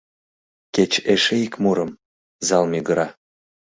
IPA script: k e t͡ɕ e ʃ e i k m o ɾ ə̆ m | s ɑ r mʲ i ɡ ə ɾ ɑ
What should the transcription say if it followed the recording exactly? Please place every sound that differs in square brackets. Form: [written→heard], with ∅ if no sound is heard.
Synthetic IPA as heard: k e t͡ɕ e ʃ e i k m [o→u] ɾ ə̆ m | [s→z] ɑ [r→l] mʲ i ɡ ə ɾ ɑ